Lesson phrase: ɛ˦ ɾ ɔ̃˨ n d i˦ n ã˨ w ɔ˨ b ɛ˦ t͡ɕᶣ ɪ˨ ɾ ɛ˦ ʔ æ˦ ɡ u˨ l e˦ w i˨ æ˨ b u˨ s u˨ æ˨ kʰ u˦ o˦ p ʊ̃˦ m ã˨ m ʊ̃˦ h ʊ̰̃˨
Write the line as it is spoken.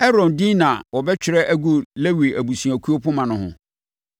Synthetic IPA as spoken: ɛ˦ ɾ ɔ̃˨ n d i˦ n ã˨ w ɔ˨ b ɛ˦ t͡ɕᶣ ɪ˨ ɾ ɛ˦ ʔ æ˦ ɡ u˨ l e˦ w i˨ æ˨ b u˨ s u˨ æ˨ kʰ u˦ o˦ p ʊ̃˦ m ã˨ n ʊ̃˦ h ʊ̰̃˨